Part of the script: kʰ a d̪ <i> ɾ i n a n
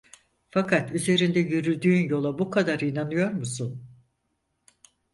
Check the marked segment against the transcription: incorrect: a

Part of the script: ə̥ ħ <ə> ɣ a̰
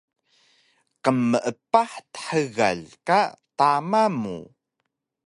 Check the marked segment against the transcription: correct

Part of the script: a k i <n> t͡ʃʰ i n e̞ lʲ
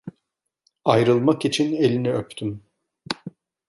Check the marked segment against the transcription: incorrect: none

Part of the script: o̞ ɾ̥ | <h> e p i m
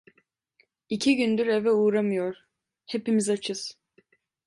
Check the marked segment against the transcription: correct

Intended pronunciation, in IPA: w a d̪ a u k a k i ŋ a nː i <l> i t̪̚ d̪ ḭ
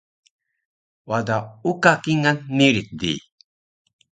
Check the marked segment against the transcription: incorrect: ɾ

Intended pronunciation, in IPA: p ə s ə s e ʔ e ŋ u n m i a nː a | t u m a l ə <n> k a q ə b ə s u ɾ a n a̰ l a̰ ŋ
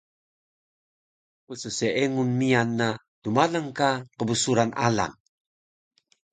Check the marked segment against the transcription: incorrect: ŋ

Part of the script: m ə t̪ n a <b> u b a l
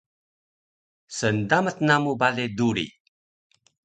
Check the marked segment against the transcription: incorrect: m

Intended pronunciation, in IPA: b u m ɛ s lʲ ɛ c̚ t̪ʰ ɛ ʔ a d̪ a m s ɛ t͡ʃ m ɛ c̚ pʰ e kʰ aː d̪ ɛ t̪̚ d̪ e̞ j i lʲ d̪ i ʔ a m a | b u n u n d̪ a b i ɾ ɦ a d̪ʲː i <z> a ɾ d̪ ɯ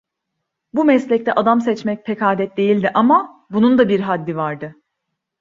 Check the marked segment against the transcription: incorrect: v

